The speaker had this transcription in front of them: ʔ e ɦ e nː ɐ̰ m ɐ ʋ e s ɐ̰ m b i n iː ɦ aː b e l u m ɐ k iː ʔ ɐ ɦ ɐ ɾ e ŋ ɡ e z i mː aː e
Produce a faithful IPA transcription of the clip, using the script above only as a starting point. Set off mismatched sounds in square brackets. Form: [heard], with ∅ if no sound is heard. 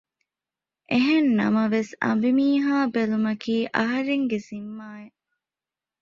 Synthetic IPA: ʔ e ɦ e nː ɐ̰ m ɐ ʋ e s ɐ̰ m b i [m] iː ɦ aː b e l u m ɐ k iː ʔ ɐ ɦ ɐ ɾ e ŋ ɡ e z i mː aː e